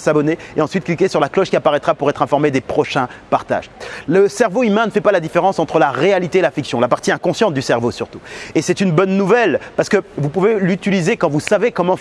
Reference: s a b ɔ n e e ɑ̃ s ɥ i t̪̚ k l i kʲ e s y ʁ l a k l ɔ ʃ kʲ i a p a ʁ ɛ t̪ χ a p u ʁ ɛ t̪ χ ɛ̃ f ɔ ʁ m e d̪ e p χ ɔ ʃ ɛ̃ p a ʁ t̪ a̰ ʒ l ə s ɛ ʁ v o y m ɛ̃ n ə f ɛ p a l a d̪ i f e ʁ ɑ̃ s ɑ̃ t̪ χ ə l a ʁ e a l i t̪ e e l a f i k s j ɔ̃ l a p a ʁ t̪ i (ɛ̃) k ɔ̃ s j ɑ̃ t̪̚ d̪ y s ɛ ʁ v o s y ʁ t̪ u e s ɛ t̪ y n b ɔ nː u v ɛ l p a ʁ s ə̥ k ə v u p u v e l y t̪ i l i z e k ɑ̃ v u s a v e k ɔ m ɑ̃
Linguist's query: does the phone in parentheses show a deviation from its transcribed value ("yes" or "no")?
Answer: no